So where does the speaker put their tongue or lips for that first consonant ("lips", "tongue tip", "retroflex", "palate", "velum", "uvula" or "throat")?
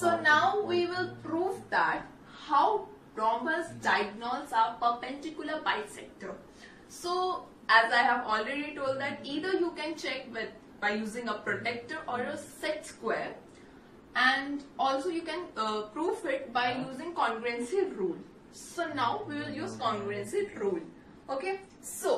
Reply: tongue tip